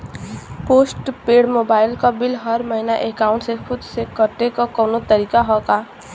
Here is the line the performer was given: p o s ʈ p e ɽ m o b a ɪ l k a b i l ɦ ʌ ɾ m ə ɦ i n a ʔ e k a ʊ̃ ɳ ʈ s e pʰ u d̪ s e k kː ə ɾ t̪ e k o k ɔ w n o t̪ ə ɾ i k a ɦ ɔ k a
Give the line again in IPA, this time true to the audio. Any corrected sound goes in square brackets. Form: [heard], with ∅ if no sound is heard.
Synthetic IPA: p o s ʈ p e ɽ m o b a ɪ l k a b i l ɦ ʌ ɾ m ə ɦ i n a ʔ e k a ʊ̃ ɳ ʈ s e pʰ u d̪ s e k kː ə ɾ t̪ e k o k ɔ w n o t̪ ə ɾ i k a ɦ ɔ k a